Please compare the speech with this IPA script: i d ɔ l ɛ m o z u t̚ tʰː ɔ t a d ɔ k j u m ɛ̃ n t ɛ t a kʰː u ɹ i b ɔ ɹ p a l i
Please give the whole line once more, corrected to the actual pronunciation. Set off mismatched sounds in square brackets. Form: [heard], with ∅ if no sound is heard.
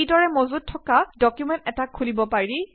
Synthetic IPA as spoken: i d ɔ [ɹ] ɛ m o z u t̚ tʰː ɔ [k] a d ɔ k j u m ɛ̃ n t ɛ t a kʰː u [l] i b ɔ [∅] p a [ɹ] i